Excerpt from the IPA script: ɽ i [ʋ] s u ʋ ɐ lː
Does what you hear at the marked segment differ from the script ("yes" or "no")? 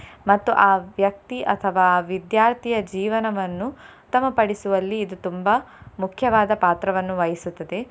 yes